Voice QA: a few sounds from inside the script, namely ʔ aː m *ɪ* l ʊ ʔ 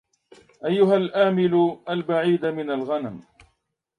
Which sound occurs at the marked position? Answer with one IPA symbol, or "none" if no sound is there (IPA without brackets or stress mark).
ɪ